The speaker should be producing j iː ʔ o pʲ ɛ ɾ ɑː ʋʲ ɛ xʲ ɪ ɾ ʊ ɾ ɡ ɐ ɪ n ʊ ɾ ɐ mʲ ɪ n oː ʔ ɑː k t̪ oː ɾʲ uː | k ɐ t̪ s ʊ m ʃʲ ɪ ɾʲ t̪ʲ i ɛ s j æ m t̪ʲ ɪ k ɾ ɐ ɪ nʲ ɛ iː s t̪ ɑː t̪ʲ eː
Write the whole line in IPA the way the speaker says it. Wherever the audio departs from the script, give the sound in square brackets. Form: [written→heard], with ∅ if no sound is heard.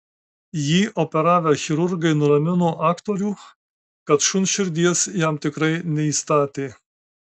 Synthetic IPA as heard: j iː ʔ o pʲ ɛ ɾ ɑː ʋʲ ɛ xʲ ɪ ɾ ʊ ɾ ɡ ɐ ɪ n ʊ ɾ ɐ mʲ ɪ n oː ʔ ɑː k t̪ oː ɾʲ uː | k ɐ t̪ [s→ʃ] ʊ [m→n] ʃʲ ɪ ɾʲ [t̪ʲ→d̪ʲ] i ɛ s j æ m t̪ʲ ɪ k ɾ ɐ ɪ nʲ ɛ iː s t̪ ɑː t̪ʲ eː